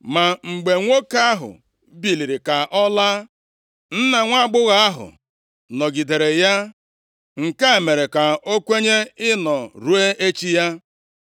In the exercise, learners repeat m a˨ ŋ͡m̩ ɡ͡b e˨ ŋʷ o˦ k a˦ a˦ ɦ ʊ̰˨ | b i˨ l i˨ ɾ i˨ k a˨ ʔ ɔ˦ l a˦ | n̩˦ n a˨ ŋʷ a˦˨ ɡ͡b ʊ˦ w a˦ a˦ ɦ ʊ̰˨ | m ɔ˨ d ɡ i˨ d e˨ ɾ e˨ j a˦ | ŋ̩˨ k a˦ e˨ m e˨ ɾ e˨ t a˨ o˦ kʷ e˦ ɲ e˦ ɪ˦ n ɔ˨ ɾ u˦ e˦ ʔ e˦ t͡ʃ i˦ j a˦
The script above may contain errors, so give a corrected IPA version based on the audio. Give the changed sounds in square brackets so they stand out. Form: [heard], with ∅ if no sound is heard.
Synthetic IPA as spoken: m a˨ ŋ͡m̩ ɡ͡b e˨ ŋʷ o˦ k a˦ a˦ ɦ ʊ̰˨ | b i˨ l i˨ ɾ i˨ k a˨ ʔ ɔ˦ l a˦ | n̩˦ n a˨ ŋʷ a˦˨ ɡ͡b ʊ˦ [ɣ] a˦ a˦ ɦ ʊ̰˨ | [n] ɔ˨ [∅] ɡ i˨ d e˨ ɾ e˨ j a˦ | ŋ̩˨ k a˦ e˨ m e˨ ɾ e˨ [k] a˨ o˦ kʷ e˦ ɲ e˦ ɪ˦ n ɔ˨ ɾ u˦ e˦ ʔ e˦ t͡ʃ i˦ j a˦